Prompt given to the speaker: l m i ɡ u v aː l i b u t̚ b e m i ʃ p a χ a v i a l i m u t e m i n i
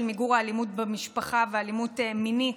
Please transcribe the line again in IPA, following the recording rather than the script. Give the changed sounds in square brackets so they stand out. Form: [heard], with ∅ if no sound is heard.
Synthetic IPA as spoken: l m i ɡ u [ʁ] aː l i [m] u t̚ b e m i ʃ p a χ a v [e] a l i m u t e m i n i

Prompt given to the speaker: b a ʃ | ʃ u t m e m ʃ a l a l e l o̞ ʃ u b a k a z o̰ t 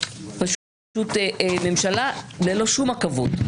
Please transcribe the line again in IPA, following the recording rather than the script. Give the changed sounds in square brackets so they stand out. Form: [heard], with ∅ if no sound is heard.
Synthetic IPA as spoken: [p] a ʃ | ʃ u t m e m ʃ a l a l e l o̞ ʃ u [m] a k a [v] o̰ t

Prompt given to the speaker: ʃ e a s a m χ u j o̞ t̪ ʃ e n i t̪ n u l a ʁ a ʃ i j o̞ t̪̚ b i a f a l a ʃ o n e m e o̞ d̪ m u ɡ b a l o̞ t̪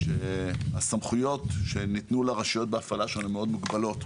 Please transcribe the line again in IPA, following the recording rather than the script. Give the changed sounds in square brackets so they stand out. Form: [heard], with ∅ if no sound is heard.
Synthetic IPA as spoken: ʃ e a s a m χ u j o̞ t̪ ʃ e n i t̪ n u l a ʁ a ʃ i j o̞ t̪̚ b [e] a f a l a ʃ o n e m e o̞ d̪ m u ɡ b a l o̞ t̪

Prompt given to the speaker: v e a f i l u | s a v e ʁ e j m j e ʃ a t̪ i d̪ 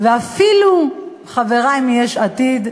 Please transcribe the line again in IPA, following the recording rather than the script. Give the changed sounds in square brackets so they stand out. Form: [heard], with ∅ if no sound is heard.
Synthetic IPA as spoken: v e a f i l u | [χ] a v e ʁ [a] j m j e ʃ a t̪ i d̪

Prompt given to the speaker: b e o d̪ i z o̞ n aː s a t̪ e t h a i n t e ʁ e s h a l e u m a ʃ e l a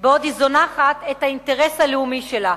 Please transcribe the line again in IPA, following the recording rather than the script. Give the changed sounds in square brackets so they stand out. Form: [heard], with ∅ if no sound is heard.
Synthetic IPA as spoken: b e o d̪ i z o̞ n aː [χ] a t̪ e t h a i n t e ʁ e s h a l e u m [i] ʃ e l a

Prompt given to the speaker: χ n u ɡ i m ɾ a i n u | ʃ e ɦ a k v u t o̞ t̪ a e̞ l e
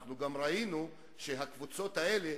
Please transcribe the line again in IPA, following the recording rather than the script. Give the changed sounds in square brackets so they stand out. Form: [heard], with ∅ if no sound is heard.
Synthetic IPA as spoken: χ n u ɡ [a] m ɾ a i n u | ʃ e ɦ a k v u [t͡s] o̞ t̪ a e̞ l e

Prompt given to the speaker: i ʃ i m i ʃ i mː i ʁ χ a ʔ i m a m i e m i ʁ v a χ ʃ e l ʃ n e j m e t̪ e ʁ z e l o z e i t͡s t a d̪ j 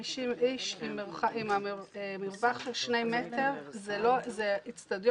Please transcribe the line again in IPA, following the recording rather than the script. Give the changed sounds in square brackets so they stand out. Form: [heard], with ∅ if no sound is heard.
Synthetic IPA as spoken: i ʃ i m i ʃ i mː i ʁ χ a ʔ i m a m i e m i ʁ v a χ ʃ e l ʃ n e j m e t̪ e ʁ z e l o z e i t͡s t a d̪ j

